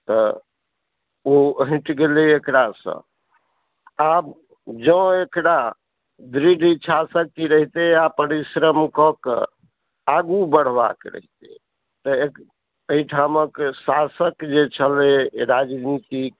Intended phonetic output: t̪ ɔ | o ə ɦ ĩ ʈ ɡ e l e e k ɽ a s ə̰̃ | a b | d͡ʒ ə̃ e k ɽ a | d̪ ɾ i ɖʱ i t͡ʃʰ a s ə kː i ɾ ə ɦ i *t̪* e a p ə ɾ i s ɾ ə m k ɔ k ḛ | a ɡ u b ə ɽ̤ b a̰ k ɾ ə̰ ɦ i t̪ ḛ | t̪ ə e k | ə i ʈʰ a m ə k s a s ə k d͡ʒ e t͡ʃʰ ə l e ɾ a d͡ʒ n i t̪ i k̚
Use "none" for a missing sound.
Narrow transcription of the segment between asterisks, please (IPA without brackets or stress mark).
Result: t̪